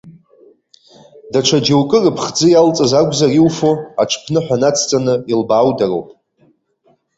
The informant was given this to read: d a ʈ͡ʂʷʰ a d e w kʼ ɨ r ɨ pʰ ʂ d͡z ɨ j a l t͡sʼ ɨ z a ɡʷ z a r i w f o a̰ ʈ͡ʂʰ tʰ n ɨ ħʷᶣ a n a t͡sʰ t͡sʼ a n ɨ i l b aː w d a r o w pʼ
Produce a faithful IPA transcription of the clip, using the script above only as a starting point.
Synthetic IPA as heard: d a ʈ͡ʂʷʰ a d͡ʒ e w kʼ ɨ r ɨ pʰ χ d͡z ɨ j a l t͡sʼ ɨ z a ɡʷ z a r i w f o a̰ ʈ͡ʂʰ pʰ n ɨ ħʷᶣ a n a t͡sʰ t͡sʼ a n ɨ i l b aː w d a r o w pʼ